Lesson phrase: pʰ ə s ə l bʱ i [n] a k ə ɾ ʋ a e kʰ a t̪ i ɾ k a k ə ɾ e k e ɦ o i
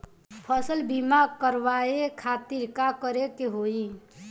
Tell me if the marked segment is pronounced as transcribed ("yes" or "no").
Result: no